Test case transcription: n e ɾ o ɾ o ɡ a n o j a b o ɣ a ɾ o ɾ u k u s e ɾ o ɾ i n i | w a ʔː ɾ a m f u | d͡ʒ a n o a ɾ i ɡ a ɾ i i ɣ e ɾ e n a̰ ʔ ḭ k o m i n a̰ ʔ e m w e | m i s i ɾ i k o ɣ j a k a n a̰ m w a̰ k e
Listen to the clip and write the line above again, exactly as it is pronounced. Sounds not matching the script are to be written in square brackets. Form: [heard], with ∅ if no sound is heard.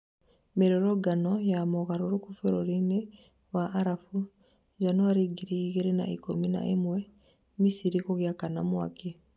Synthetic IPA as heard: [m] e ɾ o ɾ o ɡ a n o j a [m] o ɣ a ɾ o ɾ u k u [f] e ɾ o ɾ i n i | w a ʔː ɾ a [∅] f u | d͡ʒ a n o a ɾ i ɡ [i] ɾ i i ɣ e ɾ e n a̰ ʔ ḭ k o m i n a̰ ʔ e m w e | m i s i ɾ i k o ɣ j a k a n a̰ m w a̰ k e